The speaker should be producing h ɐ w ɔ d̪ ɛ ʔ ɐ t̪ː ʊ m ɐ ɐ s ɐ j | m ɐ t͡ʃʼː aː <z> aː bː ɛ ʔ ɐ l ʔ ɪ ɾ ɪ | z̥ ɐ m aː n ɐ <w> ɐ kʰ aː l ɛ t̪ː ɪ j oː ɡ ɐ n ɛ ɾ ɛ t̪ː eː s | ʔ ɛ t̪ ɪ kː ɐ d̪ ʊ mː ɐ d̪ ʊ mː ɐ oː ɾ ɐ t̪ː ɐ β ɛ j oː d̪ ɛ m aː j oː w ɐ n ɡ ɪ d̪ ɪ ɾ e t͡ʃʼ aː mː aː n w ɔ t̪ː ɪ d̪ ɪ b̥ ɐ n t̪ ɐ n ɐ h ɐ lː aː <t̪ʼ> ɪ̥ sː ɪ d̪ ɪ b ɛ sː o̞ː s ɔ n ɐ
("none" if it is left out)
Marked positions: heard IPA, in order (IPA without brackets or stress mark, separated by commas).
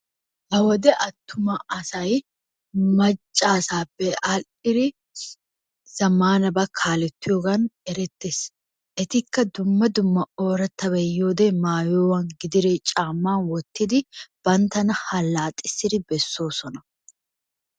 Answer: s, b, t̪ʼ